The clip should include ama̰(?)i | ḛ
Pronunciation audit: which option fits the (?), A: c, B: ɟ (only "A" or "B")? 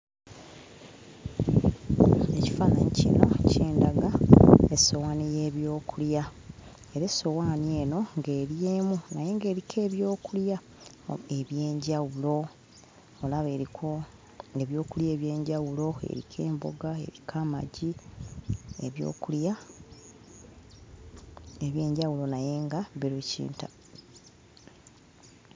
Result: B